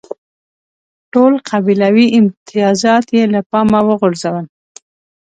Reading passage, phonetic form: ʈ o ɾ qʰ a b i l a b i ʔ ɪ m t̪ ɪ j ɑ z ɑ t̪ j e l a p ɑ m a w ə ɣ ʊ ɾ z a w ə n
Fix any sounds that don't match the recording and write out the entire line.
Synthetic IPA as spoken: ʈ o l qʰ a b i l a w i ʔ ɪ m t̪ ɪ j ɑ z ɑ t̪ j e l a p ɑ m a w ə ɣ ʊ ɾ z a w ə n